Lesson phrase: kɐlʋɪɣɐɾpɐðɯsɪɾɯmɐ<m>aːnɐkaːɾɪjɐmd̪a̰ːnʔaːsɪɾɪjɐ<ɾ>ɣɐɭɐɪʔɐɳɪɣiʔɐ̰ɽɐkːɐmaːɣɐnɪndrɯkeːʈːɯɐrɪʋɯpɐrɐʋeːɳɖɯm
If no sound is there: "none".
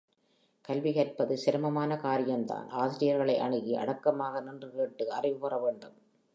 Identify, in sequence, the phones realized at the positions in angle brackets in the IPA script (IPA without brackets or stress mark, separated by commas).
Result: m, ɾ